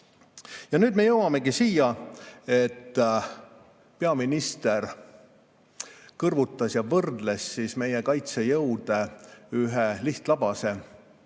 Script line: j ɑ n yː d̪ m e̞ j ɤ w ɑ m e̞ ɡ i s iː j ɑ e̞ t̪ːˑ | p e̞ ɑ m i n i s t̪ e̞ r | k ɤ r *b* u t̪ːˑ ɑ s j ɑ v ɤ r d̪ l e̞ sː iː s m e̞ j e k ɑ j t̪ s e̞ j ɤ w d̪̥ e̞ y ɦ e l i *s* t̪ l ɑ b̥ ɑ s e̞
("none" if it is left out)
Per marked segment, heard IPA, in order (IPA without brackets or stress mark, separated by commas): v, h